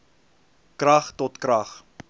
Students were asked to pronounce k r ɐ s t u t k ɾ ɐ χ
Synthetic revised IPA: k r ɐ χ t ɔ t k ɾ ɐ χ